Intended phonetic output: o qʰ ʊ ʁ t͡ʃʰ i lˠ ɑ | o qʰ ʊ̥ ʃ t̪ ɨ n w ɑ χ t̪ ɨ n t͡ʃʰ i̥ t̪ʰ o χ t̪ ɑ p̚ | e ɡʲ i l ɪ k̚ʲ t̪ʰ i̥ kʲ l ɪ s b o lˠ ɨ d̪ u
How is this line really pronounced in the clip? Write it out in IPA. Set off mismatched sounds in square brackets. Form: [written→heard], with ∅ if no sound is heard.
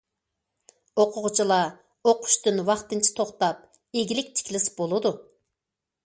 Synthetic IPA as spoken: o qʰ ʊ ʁ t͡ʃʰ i lˠ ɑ | o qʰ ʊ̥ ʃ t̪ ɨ n w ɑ χ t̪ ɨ n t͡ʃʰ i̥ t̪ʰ o χ t̪ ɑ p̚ | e ɡʲ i l ɪ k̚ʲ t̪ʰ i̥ kʲ l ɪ s b o lˠ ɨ d̪ u